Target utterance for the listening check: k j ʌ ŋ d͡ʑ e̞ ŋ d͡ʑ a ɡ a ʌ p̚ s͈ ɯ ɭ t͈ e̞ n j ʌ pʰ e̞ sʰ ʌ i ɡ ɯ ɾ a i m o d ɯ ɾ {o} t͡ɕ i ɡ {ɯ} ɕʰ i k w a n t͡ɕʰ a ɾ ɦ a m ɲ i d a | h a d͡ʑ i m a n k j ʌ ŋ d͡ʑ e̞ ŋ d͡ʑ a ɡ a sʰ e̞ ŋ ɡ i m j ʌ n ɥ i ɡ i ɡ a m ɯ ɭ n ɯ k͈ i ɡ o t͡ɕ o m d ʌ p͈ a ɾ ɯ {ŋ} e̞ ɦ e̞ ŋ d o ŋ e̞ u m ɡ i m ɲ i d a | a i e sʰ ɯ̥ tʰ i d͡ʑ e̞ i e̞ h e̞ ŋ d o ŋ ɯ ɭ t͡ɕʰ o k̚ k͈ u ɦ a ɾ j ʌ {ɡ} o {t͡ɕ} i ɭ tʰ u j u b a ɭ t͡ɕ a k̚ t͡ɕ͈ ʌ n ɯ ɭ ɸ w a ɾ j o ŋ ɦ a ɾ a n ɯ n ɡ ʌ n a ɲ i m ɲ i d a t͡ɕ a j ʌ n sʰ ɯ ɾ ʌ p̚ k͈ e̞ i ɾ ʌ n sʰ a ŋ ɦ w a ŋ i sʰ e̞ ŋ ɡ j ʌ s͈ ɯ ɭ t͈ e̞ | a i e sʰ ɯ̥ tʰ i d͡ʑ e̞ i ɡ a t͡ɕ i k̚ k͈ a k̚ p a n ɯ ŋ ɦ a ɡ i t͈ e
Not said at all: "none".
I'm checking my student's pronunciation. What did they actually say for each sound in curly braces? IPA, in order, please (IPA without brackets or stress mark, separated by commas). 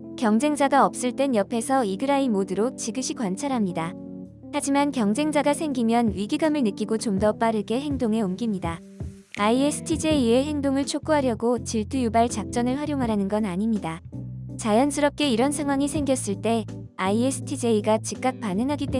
o, ɯ, ɡ, ɡ, t͡ɕ